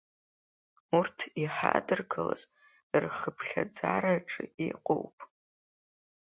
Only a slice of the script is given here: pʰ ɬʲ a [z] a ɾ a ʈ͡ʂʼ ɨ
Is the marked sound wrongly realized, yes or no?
yes